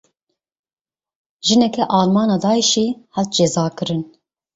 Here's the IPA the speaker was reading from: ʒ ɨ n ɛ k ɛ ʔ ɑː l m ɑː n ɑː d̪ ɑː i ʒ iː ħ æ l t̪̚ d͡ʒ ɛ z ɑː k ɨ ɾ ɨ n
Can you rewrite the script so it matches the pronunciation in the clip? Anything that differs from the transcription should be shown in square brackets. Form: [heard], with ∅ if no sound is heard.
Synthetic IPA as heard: ʒ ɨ n ɛ k ɛ ʔ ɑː l m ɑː n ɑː d̪ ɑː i [ʃ] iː [h] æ l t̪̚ d͡ʒ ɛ z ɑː k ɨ ɾ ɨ n